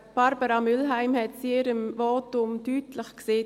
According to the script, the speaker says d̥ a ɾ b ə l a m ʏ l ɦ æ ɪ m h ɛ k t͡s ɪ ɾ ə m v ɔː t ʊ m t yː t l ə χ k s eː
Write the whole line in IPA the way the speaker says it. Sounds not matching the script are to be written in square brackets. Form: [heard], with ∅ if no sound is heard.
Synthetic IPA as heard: [b̥] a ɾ b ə [ɾ] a m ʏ l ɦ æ ɪ m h ɛ [t] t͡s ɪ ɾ ə m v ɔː t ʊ m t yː t l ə χ k s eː